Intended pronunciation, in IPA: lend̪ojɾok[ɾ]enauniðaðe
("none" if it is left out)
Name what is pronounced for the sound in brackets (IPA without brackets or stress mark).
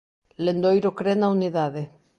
ɾ